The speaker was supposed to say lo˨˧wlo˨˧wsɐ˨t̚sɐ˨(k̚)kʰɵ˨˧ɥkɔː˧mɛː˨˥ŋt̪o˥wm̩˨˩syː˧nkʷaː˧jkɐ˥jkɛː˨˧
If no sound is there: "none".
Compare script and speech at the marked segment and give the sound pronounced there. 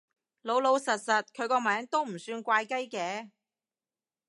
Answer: t̚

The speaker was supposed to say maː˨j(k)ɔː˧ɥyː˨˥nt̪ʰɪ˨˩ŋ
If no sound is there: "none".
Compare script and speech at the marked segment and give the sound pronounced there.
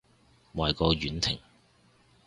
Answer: k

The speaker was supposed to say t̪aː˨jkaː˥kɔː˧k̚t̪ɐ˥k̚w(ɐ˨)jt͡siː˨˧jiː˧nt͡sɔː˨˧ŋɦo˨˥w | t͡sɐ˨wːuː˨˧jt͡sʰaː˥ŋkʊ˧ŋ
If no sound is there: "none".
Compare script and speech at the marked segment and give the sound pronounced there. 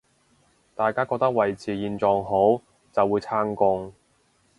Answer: ɐ˨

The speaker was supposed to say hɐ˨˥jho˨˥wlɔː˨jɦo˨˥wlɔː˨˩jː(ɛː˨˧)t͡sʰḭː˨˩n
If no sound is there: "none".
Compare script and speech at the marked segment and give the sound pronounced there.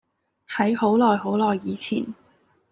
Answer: iː˨˧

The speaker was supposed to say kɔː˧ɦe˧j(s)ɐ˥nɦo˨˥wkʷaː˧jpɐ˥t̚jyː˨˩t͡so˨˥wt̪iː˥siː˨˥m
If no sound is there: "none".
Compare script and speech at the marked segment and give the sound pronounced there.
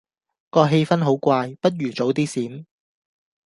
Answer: f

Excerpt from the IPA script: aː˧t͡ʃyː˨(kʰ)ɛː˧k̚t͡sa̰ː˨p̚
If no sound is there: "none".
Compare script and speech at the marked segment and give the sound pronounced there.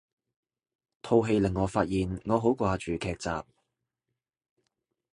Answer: kʰ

